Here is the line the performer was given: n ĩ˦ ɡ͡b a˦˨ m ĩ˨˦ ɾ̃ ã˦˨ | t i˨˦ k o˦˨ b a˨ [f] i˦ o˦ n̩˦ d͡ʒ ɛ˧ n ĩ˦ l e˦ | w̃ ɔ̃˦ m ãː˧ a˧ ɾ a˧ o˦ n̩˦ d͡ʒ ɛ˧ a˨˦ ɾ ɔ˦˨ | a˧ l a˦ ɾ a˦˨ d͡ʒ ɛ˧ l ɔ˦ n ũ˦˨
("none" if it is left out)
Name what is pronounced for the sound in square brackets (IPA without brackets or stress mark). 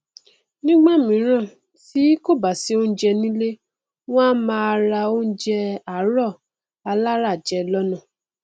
s